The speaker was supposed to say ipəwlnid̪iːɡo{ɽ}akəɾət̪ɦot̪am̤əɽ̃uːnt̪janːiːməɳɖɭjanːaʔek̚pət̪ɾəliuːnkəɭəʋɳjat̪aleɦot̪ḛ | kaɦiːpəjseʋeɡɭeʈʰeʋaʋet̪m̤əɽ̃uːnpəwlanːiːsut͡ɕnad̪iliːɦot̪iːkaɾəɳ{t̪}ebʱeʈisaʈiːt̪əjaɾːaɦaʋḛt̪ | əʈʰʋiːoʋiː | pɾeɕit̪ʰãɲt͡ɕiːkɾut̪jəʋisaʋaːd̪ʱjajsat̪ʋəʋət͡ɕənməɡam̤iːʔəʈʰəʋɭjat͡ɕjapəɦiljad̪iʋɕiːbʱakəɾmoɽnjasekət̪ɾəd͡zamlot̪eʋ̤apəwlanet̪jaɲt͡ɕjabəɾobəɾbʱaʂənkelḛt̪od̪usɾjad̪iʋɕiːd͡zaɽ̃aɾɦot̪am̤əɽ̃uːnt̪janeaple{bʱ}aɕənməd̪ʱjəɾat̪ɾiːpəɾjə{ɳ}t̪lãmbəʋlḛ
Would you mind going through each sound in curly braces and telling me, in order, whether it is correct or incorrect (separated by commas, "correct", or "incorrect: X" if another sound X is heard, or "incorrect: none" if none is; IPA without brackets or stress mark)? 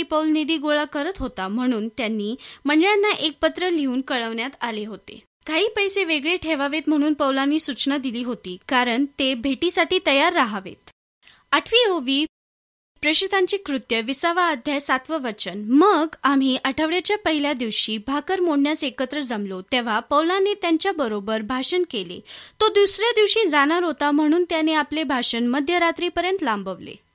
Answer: incorrect: ɭ, correct, correct, incorrect: n